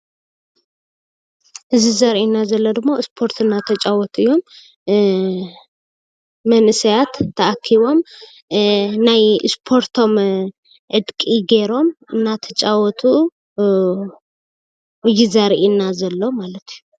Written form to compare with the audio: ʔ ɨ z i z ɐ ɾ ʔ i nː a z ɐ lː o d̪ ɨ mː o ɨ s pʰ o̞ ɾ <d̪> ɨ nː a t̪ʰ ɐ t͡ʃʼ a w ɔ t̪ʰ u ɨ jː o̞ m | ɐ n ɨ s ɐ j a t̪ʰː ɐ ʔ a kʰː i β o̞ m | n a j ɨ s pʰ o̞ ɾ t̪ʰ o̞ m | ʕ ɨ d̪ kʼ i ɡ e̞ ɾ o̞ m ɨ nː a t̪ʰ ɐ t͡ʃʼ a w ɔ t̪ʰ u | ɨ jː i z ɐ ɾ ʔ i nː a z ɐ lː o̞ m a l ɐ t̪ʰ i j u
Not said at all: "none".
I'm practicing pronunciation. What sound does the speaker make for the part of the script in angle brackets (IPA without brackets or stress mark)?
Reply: t̪